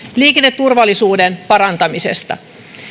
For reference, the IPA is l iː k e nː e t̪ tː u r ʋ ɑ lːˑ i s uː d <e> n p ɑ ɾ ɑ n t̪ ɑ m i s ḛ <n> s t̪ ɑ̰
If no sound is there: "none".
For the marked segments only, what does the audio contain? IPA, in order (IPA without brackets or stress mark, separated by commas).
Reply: e, none